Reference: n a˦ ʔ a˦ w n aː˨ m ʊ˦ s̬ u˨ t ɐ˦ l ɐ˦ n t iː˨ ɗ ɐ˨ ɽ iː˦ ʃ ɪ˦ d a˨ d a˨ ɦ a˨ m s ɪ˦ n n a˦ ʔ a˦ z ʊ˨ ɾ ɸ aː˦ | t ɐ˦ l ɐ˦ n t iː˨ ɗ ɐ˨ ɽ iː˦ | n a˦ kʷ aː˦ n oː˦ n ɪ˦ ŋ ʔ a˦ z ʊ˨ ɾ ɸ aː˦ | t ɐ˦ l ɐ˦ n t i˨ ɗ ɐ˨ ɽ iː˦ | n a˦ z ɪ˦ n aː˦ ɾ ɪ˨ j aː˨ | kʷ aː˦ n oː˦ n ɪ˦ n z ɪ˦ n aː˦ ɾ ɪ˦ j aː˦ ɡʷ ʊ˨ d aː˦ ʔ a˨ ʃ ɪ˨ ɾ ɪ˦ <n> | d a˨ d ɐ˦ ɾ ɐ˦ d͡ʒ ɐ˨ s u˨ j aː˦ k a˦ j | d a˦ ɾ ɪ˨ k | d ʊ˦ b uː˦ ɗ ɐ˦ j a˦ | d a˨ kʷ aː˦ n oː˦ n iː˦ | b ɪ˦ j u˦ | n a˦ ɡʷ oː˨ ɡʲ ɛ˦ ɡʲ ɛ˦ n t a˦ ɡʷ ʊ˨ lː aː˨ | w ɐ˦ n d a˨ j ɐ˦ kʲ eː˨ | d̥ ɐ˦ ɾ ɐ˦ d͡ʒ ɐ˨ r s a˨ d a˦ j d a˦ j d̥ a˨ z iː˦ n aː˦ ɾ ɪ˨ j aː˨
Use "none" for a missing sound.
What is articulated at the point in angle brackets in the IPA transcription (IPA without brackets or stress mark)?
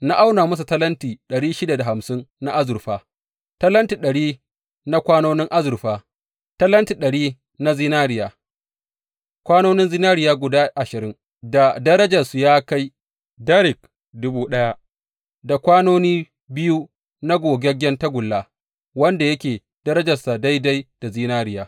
ŋ